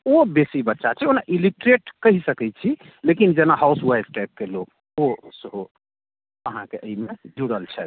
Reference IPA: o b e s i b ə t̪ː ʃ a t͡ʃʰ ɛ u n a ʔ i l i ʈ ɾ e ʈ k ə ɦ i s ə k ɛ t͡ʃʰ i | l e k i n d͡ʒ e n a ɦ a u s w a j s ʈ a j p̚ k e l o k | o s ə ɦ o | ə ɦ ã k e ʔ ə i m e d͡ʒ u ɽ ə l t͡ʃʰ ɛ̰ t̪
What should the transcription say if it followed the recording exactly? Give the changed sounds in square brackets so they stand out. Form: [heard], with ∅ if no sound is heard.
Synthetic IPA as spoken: o b e s i b ə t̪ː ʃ a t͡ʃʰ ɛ [o] n a ʔ i l i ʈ ɾ e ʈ k ə ɦ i s ə k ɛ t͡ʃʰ i | l e k i n d͡ʒ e n a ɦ a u s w a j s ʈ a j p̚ k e l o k | o s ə ɦ o | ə ɦ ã k e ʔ ə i m e d͡ʒ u ɽ ə l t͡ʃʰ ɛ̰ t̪